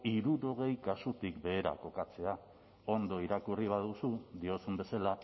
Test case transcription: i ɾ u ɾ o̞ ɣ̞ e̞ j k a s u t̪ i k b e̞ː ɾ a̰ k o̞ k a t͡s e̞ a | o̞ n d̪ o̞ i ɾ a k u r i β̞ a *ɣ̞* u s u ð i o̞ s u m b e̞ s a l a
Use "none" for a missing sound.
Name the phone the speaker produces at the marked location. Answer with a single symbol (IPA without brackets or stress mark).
ð̞